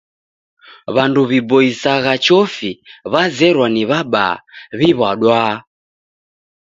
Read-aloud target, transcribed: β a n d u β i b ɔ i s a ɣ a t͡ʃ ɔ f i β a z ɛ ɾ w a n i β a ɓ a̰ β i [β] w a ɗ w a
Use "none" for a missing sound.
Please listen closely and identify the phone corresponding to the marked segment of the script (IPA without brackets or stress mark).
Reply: β